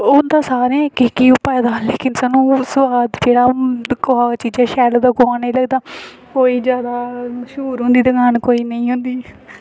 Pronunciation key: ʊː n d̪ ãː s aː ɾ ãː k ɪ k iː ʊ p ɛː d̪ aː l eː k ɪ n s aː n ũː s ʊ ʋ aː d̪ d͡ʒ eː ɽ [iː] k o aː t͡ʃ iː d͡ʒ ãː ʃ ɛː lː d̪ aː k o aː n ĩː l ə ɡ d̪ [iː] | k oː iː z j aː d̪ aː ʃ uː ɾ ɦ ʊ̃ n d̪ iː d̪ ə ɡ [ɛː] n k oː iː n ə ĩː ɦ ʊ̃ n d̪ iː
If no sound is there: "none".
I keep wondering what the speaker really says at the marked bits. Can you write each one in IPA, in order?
aː, aː, aː

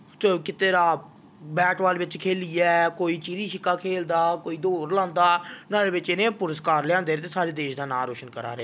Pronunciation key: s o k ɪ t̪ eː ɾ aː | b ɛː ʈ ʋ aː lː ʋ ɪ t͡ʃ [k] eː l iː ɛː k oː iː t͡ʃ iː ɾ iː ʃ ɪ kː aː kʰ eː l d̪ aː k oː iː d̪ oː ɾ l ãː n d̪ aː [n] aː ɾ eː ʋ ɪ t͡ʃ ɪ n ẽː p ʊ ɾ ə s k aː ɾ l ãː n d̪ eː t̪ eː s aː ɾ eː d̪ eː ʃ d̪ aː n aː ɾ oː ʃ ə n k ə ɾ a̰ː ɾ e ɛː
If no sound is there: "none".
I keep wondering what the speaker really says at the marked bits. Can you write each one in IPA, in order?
kʰ, n

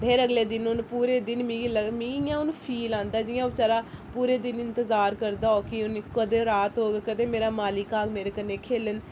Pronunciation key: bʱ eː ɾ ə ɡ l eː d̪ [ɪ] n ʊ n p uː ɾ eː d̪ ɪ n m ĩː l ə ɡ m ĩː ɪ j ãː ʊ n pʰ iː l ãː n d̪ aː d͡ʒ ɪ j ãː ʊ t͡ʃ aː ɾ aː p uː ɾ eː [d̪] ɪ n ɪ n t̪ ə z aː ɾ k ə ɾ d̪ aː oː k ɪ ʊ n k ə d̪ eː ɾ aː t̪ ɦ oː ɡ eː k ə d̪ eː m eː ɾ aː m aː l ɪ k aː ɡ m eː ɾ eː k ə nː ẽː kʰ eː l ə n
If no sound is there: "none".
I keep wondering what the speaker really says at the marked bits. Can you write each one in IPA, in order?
ɪ, d̪

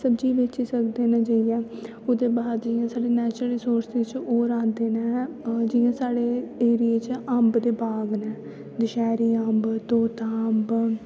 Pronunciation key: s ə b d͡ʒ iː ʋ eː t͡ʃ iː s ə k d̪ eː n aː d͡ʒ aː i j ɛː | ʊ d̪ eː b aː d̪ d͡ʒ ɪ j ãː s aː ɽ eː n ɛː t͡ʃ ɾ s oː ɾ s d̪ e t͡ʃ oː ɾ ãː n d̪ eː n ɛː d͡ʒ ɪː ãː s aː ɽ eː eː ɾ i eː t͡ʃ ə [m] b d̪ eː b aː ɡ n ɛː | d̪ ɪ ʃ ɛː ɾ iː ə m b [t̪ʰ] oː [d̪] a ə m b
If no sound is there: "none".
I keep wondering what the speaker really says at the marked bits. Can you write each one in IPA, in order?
m, t̪, t̪

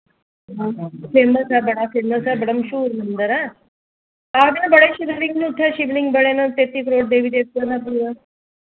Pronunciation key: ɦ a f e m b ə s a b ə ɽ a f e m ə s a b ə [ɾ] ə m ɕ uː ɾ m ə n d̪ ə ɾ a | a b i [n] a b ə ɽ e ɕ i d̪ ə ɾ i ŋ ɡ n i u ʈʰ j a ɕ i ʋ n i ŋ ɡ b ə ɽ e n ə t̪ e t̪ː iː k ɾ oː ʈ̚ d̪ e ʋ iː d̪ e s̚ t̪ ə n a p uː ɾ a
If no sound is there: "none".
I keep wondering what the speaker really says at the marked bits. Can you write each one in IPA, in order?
ɽ, n

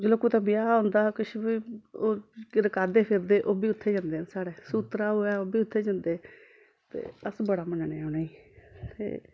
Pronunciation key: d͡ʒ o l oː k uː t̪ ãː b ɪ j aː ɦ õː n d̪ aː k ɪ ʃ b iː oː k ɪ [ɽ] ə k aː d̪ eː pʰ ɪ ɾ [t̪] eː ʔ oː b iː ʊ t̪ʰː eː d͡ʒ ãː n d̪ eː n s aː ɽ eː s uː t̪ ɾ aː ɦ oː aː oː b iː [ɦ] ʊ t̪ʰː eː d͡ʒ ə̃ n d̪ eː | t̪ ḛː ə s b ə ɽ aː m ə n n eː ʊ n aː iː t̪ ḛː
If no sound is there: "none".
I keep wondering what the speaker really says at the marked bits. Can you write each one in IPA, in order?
ɾ, d̪, none

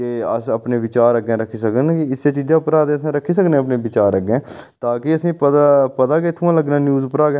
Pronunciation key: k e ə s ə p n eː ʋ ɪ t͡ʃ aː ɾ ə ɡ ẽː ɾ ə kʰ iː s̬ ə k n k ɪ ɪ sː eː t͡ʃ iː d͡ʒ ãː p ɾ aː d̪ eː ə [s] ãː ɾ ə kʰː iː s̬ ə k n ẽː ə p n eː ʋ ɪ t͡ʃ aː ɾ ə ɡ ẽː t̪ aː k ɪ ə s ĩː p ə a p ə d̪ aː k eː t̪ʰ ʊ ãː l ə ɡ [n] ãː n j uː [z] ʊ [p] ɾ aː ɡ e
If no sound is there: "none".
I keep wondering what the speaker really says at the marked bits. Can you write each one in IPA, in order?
s, n, z, p

